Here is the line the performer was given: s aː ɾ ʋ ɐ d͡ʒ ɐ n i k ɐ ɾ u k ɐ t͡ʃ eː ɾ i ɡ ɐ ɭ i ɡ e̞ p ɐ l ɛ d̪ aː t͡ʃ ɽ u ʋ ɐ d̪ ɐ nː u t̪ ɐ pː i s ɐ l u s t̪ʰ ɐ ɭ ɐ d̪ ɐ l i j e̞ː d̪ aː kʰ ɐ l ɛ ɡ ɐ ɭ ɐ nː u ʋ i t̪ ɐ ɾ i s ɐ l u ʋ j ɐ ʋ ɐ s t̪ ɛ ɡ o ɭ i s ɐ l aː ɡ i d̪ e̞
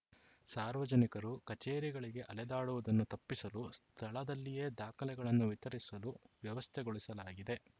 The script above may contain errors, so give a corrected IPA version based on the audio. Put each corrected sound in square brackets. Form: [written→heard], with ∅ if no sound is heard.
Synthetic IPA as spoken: s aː ɾ ʋ ɐ d͡ʒ ɐ n i k ɐ ɾ u k ɐ t͡ʃ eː ɾ i ɡ ɐ ɭ i ɡ e̞ [p→ʔ] ɐ l ɛ d̪ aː [t͡ʃ→∅] ɽ u ʋ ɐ d̪ ɐ nː u t̪ ɐ pː i s ɐ l u s t̪ʰ ɐ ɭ ɐ d̪ ɐ [l→lː] i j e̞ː d̪ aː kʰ ɐ l ɛ ɡ ɐ ɭ ɐ nː u ʋ i t̪ ɐ ɾ i s ɐ l u ʋ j ɐ ʋ ɐ s [t̪→t̪ʰ] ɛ ɡ o ɭ i s ɐ l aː ɡ i d̪ e̞